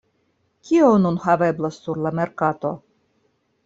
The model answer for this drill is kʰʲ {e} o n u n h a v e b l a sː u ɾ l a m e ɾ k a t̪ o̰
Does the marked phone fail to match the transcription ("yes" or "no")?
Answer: yes